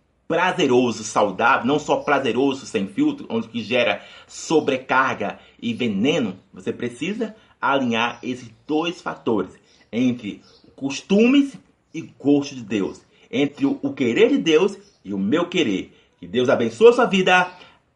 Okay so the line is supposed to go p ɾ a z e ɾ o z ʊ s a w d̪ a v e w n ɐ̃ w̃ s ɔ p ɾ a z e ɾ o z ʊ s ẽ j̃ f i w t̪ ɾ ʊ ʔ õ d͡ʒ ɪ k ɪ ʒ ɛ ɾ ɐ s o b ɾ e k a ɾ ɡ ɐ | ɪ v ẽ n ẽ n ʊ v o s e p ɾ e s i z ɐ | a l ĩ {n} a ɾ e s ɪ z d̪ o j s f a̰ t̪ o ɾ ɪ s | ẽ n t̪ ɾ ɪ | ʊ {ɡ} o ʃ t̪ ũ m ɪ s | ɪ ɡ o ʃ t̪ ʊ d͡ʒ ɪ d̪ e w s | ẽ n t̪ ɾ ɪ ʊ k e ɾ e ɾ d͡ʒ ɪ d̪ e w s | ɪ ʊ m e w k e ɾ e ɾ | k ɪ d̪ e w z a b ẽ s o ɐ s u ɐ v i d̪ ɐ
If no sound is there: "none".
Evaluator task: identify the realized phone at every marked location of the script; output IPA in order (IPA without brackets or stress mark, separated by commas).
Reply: ɲ, k